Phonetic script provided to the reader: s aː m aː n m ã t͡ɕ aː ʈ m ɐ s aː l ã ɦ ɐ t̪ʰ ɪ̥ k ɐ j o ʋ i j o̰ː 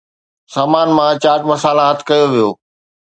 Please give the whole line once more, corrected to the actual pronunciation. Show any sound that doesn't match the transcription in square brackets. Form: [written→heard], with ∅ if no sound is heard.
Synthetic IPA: s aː m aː n m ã t͡ɕ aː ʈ m ɐ s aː l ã ɦ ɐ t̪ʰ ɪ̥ k ɐ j o ʋ i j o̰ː

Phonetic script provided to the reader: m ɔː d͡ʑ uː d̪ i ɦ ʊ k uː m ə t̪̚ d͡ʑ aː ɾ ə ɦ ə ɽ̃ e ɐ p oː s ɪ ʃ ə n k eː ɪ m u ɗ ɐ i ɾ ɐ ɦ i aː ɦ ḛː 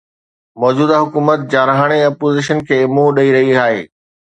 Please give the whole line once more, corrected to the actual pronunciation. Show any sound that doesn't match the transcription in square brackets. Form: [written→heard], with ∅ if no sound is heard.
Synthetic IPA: m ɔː d͡ʑ uː d̪ [i→a] ɦ ʊ k uː m ə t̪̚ d͡ʑ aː ɾ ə ɦ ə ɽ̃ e ɐ p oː [s→z] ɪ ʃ ə n [k→kʰ] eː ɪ m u ɗ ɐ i ɾ ɐ ɦ i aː ɦ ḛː

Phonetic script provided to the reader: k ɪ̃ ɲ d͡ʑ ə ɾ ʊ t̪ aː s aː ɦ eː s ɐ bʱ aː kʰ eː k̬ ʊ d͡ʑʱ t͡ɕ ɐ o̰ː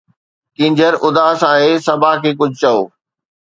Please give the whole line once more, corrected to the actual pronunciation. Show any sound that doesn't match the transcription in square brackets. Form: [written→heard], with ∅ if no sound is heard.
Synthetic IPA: k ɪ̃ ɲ d͡ʑ ə ɾ ʊ [t̪→d̪] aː s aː ɦ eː s ɐ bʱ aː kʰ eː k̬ ʊ d͡ʑʱ t͡ɕ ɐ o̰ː

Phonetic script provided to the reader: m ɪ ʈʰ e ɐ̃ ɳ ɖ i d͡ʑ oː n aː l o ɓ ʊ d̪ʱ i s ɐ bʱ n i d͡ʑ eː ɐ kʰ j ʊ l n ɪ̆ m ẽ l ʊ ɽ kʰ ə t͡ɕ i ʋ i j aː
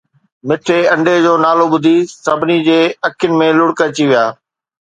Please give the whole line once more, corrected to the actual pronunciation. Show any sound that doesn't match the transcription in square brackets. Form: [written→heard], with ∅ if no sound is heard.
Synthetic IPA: m ɪ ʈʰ e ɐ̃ ɳ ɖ [i→e] d͡ʑ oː n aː l o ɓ ʊ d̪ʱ i s ɐ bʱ n i d͡ʑ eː ɐ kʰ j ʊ [l→∅] n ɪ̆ m ẽ l ʊ ɽ [kʰ→k] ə t͡ɕ i ʋ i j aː

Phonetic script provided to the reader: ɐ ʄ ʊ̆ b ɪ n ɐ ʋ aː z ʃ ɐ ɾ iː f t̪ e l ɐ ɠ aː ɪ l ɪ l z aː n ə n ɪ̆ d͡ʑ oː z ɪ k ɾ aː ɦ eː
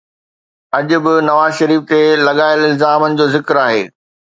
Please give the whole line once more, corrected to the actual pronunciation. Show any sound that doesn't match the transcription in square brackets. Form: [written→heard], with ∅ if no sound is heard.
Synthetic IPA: ɐ ʄ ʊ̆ b ɪ n ɐ ʋ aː z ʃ ɐ ɾ iː f t̪ e l ɐ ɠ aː ɪ l ɪ l z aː [n→m] ə n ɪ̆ d͡ʑ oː z ɪ k ɾ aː ɦ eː

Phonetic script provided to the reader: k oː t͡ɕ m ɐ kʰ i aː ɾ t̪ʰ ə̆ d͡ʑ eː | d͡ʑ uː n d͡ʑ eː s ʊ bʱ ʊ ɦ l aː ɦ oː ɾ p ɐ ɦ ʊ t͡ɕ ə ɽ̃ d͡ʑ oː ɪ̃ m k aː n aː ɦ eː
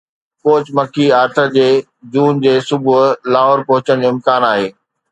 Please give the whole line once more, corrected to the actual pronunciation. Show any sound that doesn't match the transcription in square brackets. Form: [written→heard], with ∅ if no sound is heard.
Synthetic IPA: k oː t͡ɕ m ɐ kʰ i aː ɾ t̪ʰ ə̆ d͡ʑ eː | d͡ʑ uː n d͡ʑ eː s ʊ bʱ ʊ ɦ l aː ɦ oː ɾ p ɐ ɦ ʊ t͡ɕ ə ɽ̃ d͡ʑ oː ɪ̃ m k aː n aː ɦ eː

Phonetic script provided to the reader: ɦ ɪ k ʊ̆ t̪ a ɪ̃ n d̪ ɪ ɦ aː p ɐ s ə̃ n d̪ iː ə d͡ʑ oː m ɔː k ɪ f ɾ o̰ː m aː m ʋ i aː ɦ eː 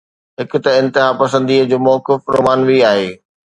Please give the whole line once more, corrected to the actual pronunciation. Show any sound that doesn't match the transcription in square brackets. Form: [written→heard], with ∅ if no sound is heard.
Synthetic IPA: ɦ ɪ k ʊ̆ t̪ [a→ɐ] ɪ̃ n [d̪→t̪] ɪ ɦ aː p ɐ s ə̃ n d̪ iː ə d͡ʑ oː m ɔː k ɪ f ɾ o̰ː m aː [m→n] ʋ i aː ɦ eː

